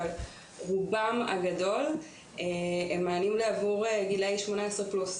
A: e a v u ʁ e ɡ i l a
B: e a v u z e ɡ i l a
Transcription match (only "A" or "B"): A